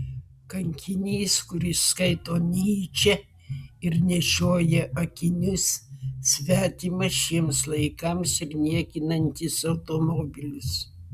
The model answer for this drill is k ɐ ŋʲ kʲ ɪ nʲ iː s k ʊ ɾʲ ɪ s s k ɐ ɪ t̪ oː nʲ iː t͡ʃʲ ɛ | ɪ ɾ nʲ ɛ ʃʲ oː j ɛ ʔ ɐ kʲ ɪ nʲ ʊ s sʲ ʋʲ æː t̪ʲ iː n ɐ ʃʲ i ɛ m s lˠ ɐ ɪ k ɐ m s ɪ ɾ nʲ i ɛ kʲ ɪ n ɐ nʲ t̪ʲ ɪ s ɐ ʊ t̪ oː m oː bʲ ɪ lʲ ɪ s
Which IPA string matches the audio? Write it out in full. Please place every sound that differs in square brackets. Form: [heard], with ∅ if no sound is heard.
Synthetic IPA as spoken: k ɐ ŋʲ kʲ ɪ nʲ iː s k ʊ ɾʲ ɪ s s k ɐ ɪ t̪ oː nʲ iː t͡ʃʲ ɛ | ɪ ɾ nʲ ɛ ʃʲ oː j ɛ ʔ ɐ kʲ ɪ nʲ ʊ s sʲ ʋʲ æː t̪ʲ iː [m] ɐ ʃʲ i ɛ m s lˠ ɐ ɪ k ɐ m s ɪ ɾ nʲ i ɛ kʲ ɪ n ɐ nʲ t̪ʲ ɪ s ɐ ʊ t̪ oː m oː bʲ ɪ lʲ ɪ s